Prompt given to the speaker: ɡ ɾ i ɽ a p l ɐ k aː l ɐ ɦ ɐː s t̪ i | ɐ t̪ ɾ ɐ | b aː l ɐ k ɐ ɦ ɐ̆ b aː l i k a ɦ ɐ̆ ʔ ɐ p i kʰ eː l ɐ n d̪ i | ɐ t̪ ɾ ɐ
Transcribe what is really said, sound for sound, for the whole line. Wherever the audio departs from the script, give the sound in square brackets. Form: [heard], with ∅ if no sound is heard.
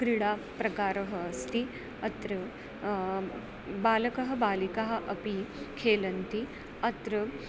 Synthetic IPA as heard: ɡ ɾ i ɽ a p [ɾ] ɐ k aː [ɾ] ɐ ɦ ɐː s t̪ i | ɐ t̪ ɾ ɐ | b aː l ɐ k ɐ ɦ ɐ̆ b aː l i k a ɦ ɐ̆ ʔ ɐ p i kʰ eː l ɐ n [t̪] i | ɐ t̪ ɾ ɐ